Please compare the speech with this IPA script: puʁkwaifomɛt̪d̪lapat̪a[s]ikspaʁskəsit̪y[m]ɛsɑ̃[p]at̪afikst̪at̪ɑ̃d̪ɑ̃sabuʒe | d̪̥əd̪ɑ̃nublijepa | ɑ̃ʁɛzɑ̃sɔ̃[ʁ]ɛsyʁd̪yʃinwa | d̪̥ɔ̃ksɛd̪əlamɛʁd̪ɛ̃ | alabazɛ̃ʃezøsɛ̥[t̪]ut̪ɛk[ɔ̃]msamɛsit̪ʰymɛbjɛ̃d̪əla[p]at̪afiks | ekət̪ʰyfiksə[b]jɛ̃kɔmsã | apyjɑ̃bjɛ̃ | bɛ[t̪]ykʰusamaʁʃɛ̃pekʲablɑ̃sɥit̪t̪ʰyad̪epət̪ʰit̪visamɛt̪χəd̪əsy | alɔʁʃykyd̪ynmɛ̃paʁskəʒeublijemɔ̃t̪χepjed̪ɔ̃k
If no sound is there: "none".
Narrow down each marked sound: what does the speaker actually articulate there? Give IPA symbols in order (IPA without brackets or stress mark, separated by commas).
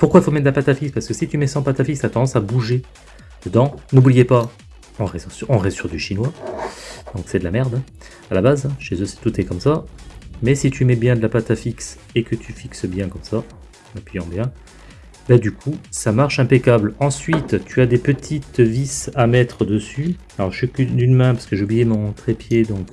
f, m, p, ʁ, t̪, ɔ, p, b, d̪